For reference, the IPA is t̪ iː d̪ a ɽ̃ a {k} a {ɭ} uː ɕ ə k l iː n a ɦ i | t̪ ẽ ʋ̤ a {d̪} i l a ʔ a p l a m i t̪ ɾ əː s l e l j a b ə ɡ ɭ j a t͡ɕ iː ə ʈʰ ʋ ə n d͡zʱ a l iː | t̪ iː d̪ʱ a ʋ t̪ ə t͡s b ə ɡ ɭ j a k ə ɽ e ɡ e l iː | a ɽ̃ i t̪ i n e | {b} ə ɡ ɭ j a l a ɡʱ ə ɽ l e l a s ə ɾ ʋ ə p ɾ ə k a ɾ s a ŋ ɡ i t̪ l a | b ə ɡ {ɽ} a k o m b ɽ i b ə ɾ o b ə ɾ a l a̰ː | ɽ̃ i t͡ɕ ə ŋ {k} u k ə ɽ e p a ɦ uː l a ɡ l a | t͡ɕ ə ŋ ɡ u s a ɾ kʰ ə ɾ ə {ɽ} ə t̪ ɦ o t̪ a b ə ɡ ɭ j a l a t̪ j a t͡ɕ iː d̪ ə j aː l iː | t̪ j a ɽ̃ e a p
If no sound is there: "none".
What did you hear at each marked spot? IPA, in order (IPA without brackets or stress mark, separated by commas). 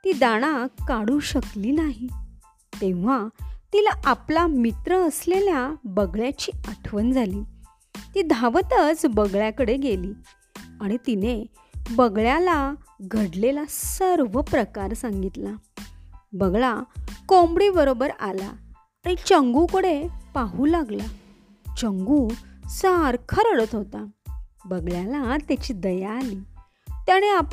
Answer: k, ɽ, t̪, b, ɭ, ɡ, ɽ